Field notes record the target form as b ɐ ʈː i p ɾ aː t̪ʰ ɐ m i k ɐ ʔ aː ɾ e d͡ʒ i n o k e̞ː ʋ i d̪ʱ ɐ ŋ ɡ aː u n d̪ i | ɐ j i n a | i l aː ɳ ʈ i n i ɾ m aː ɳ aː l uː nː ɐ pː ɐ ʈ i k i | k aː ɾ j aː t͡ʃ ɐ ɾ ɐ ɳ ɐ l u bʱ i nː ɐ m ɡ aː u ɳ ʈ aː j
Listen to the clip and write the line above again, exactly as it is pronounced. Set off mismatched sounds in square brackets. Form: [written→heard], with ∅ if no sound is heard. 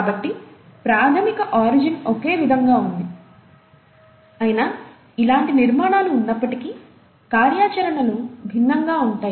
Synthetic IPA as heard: b ɐ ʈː i p ɾ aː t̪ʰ ɐ m i k ɐ ʔ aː ɾ [e→i] d͡ʒ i n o k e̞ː ʋ i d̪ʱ ɐ ŋ ɡ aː u n d̪ i | ɐ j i n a | i l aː ɳ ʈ i n i ɾ m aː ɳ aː l uː nː ɐ pː ɐ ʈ i k i | k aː ɾ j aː t͡ʃ ɐ ɾ ɐ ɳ ɐ l u bʱ i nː ɐ [m→ŋ] ɡ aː u ɳ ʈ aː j